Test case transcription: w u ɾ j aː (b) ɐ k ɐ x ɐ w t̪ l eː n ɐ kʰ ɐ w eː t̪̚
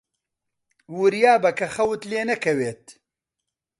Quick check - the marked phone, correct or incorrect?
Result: correct